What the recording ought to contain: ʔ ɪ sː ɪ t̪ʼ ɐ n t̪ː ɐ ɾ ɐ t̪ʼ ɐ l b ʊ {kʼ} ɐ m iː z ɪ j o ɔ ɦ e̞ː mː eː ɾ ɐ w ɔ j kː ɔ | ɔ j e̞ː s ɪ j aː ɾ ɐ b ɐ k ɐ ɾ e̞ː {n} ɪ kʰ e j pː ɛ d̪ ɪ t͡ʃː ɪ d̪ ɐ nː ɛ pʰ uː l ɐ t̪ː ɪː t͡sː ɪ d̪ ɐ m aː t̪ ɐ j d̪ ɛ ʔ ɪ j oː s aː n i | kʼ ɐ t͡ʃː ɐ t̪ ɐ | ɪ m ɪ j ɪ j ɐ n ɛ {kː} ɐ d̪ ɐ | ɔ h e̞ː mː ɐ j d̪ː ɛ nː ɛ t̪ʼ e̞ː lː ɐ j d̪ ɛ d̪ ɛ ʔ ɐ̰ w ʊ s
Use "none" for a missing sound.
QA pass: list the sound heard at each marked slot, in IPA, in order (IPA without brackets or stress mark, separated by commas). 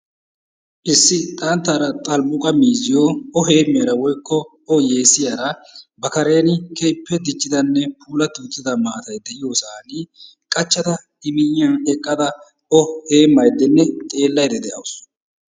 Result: kʼ, n, kʼː